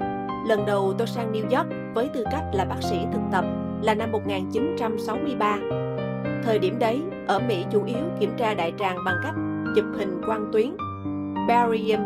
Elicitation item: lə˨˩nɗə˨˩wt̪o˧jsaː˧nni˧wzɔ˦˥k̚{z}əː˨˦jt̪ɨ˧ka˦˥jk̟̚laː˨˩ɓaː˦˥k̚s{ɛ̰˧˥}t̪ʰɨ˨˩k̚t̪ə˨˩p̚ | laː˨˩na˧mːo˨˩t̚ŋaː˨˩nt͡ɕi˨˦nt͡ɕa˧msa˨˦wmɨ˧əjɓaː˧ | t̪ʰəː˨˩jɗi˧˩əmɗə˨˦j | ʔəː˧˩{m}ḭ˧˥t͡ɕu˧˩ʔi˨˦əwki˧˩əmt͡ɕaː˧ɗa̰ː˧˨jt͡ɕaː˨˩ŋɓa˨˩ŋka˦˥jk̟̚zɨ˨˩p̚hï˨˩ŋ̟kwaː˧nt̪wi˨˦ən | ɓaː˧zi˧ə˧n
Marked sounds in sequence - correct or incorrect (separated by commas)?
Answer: incorrect, incorrect, correct